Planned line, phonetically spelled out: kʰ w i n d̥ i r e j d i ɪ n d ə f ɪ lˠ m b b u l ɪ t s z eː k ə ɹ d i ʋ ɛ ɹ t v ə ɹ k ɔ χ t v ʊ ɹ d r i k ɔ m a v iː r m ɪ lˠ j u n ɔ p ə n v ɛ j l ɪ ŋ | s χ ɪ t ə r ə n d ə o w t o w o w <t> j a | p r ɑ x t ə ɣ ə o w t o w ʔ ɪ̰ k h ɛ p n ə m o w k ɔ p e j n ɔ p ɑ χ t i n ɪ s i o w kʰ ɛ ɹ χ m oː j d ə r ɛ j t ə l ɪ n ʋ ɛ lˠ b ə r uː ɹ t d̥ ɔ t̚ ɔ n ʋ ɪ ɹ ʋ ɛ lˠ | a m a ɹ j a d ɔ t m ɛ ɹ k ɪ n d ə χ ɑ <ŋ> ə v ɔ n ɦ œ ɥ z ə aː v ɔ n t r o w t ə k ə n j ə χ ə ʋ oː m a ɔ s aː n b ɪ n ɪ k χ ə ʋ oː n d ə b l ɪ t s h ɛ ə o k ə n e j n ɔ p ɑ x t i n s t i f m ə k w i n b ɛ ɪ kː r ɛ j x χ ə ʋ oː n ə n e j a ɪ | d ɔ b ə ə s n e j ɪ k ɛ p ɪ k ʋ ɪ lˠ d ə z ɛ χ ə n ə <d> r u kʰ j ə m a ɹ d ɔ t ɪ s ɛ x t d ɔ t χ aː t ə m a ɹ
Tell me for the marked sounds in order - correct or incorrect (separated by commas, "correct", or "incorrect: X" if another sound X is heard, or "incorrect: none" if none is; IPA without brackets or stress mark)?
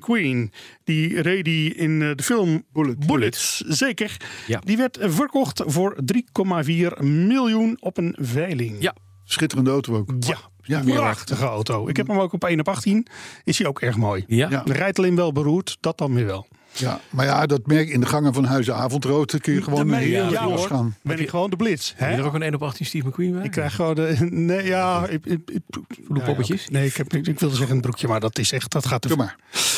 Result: incorrect: k, correct, incorrect: b